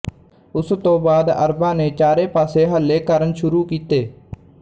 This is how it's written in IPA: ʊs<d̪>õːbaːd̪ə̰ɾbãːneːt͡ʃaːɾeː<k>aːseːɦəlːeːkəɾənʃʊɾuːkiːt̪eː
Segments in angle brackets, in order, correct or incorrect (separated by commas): incorrect, incorrect